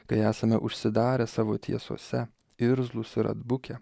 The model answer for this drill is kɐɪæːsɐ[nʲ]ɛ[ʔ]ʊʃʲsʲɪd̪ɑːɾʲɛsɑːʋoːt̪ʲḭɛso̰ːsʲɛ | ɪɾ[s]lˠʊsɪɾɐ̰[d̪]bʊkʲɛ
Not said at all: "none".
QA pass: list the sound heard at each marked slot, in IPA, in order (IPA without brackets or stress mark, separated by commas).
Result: mʲ, ʔ, z, d̪